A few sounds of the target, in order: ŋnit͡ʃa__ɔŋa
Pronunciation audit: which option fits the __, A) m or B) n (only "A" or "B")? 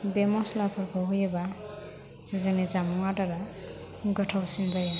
A